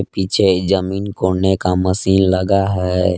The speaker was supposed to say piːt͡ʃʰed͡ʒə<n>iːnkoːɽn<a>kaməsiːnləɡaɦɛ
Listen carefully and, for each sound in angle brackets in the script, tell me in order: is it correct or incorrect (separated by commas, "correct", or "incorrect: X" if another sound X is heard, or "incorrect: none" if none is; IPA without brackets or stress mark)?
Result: incorrect: m, incorrect: e